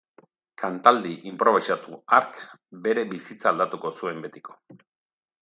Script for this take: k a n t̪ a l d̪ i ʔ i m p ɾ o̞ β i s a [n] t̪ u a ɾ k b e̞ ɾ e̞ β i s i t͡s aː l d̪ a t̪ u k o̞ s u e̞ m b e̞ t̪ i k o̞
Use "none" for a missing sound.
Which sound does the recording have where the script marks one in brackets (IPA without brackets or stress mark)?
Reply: none